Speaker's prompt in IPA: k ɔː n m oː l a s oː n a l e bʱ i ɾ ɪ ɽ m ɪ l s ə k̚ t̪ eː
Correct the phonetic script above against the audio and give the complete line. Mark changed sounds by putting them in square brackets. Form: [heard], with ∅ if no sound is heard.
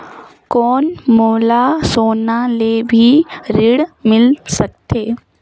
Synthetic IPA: k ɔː n m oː l a s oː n a l e bʱ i ɾ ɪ ɽ m ɪ l s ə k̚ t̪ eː